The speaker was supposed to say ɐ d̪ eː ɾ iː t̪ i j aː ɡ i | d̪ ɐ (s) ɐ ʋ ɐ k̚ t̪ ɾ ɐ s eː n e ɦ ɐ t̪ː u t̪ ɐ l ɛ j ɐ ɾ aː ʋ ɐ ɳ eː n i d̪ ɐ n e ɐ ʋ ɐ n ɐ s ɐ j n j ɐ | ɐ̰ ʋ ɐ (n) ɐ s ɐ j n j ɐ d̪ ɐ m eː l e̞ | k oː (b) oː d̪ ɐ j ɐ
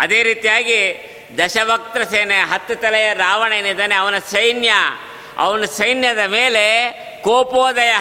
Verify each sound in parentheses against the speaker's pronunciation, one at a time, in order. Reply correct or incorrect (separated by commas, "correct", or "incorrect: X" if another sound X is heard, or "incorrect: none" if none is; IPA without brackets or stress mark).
incorrect: ʃ, correct, incorrect: p